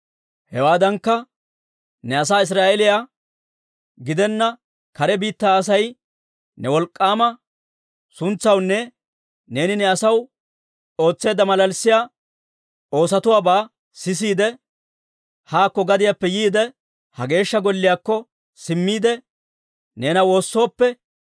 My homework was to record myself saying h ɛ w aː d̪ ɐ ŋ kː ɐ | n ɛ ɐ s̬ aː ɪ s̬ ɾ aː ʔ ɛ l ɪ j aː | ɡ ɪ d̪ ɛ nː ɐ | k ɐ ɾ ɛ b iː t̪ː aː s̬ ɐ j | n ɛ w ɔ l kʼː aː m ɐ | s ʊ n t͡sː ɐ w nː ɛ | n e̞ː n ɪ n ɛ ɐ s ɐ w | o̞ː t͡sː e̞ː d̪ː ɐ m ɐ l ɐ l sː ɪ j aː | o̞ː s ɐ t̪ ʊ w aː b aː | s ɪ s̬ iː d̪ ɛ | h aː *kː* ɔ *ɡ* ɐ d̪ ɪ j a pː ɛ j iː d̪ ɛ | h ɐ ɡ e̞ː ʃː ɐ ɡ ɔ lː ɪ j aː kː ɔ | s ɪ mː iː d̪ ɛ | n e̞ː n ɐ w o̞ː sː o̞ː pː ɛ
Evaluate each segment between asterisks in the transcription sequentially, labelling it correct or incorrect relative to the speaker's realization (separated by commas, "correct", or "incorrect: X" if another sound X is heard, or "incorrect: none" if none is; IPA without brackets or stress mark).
correct, correct